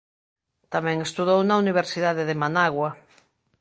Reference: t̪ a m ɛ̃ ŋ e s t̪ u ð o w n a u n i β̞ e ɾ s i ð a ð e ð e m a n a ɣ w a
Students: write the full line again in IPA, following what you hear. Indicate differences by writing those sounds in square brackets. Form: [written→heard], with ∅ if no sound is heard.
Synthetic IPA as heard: t̪ a m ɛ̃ ŋ e s t̪ u ð o w n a u n i β̞ e ɾ s i ð a ð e ð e m a n a ɣ w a